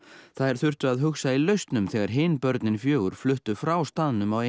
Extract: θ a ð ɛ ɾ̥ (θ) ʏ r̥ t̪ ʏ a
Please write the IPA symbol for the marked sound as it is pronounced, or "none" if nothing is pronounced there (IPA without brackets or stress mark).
θ